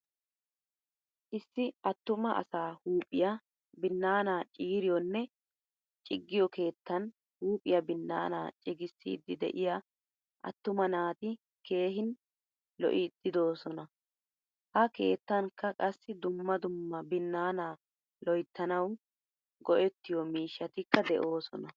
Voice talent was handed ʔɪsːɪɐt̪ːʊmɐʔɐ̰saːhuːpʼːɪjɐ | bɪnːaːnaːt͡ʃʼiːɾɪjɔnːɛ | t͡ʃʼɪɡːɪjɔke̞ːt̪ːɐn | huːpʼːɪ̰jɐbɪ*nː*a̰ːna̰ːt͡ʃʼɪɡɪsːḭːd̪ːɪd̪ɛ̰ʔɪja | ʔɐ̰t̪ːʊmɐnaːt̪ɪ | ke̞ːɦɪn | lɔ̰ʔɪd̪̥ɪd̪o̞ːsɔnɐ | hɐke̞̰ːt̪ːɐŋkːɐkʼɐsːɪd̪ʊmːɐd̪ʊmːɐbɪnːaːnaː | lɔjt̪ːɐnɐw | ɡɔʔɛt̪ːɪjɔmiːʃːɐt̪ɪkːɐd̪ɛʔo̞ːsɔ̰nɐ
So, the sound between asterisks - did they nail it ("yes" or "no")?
yes